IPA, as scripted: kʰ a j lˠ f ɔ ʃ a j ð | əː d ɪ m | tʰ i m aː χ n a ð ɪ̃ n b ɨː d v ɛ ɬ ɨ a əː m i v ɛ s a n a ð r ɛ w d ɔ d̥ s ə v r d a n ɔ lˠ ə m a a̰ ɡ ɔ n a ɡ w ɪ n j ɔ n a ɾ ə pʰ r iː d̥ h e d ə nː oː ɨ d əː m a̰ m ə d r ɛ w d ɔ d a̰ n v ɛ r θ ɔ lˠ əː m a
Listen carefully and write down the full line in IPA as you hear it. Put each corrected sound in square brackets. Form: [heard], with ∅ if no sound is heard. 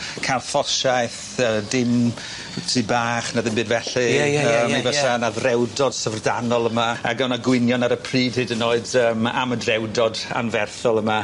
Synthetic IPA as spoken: kʰ a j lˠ f ɔ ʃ a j [θ] | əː d ɪ m | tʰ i [b] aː χ n a ð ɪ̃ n b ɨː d v ɛ ɬ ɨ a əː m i v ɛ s a n a ð r ɛ w d ɔ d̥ s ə v r d a n ɔ lˠ ə m a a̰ ɡ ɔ n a ɡ w ɪ n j ɔ n a ɾ ə pʰ r iː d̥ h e d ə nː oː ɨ d əː m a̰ m ə d r ɛ w d ɔ d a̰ n v ɛ r θ ɔ lˠ [ə] m a